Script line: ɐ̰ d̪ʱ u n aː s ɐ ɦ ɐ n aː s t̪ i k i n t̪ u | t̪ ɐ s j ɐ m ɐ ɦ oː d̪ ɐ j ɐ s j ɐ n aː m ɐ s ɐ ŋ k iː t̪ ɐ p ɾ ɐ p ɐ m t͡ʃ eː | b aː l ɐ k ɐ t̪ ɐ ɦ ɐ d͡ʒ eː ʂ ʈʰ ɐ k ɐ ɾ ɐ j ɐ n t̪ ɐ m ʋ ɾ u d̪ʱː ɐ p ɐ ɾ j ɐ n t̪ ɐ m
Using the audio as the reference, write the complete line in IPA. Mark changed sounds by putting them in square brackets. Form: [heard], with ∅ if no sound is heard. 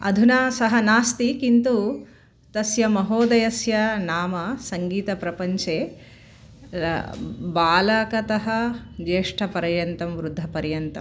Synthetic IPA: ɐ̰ d̪ʱ u n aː s ɐ ɦ ɐ n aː s t̪ i k i n t̪ u | t̪ ɐ s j ɐ m ɐ ɦ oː d̪ ɐ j ɐ s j ɐ n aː m ɐ s ɐ ŋ [ɡ] iː t̪ ɐ p ɾ ɐ p ɐ [ɲ] t͡ʃ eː | b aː l ɐ k ɐ t̪ ɐ ɦ ɐ d͡ʒ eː ʂ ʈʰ ɐ [p] ɐ ɾ ɐ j ɐ n t̪ ɐ m ʋ ɾ u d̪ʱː ɐ p ɐ ɾ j ɐ n t̪ ɐ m